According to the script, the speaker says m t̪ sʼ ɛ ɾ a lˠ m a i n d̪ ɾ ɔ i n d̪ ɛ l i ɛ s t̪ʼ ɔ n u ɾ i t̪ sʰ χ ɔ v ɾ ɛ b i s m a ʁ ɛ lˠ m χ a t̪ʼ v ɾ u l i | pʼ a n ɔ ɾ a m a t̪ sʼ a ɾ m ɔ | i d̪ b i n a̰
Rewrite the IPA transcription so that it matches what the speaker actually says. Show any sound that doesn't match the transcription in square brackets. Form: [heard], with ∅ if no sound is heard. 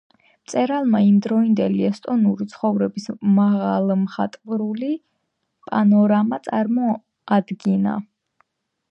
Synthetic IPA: m t̪ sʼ ɛ ɾ a lˠ m a i [m] d̪ ɾ ɔ i n d̪ ɛ l i ɛ s t̪ʼ ɔ n u ɾ i t̪ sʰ χ ɔ v ɾ ɛ b i s m a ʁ [a] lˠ m χ a t̪ʼ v ɾ u l i | pʼ a n ɔ ɾ a m a t̪ sʼ a ɾ m ɔ | [a] d̪ [ɡ] i n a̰